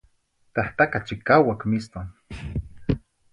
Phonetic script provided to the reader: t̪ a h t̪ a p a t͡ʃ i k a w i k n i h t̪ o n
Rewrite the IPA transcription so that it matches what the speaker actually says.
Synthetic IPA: t̪ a h t̪ a k a t͡ʃ i k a w a k m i s t̪ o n